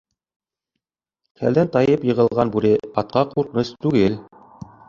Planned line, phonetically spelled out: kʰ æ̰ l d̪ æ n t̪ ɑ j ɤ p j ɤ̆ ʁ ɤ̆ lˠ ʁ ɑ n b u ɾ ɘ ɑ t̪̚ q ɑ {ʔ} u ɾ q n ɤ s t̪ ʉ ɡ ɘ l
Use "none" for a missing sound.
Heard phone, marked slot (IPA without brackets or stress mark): q